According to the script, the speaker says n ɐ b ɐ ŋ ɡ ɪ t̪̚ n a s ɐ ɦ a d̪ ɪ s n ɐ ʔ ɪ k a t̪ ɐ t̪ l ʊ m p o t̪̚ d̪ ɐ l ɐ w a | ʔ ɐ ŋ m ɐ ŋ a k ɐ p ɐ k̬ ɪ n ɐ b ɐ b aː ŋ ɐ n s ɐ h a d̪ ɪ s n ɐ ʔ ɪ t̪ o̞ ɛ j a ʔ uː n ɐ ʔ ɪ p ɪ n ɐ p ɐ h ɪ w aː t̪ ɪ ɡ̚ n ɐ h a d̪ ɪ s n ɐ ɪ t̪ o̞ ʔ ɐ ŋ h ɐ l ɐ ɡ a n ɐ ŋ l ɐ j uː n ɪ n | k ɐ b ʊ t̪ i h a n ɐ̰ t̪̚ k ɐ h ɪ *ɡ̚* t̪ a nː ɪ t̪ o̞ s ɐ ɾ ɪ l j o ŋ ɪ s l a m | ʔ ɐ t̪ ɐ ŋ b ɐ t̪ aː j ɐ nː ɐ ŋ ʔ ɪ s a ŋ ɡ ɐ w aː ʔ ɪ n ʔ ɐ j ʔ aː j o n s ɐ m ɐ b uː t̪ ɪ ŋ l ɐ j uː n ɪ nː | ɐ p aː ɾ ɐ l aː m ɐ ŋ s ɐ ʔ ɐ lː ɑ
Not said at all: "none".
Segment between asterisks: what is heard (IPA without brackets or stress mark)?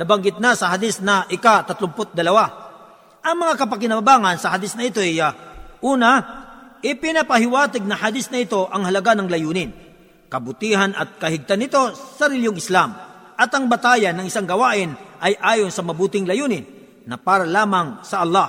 ɡ̚